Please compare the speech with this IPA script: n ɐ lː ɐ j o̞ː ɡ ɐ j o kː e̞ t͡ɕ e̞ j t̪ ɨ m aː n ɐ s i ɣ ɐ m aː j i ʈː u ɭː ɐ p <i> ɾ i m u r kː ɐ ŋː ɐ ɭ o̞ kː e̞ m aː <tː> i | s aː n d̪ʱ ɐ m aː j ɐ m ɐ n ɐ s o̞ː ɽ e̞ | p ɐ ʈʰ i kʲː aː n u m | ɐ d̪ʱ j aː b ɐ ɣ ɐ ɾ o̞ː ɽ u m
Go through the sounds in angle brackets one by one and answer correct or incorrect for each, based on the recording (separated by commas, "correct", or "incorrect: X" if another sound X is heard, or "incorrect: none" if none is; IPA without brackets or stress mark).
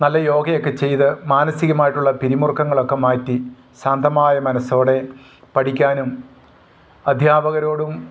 correct, correct